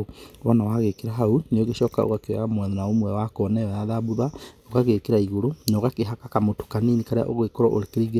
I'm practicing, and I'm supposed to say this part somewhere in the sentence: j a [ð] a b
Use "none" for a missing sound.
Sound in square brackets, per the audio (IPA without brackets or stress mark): ð